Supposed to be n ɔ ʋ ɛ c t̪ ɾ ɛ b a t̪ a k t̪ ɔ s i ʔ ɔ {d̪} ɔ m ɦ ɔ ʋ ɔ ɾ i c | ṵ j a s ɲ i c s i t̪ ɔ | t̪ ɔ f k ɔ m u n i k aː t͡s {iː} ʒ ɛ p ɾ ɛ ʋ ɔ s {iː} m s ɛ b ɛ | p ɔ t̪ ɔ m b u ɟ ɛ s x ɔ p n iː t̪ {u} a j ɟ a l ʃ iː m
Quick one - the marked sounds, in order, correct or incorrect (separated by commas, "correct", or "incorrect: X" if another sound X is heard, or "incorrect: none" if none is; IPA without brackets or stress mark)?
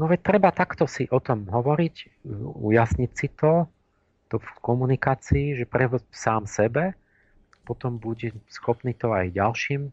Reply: incorrect: t̪, correct, incorrect: aː, incorrect: ɔ